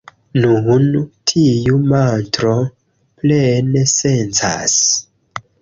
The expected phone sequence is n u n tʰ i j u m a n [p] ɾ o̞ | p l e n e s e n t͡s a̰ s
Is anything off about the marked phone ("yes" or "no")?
yes